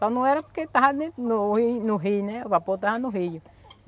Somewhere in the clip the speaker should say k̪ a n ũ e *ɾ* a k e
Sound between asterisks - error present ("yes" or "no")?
no